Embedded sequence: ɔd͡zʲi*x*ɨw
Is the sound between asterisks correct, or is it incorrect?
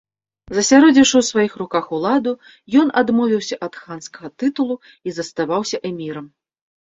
incorrect